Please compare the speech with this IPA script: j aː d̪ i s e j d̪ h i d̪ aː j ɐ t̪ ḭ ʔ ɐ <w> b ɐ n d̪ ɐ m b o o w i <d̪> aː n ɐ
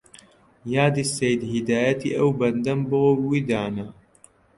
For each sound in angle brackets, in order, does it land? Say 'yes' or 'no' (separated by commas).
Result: yes, yes